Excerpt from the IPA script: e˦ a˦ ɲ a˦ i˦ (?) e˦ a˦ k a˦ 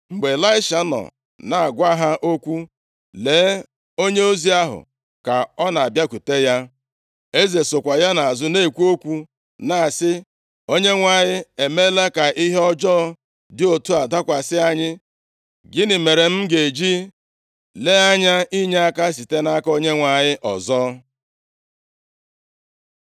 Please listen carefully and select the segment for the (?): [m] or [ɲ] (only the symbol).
ɲ